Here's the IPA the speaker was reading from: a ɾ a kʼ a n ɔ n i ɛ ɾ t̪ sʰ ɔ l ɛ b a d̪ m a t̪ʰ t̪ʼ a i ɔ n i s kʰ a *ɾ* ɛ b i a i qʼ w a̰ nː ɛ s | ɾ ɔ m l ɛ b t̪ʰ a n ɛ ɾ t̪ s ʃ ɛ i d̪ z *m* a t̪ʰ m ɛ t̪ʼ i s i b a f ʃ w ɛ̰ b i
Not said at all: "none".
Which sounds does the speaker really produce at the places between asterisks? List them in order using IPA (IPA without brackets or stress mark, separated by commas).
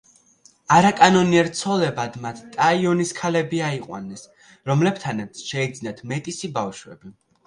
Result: l, n